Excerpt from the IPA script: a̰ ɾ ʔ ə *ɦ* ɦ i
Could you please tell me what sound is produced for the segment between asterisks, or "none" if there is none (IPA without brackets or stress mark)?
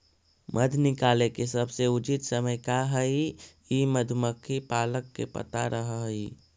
ɦ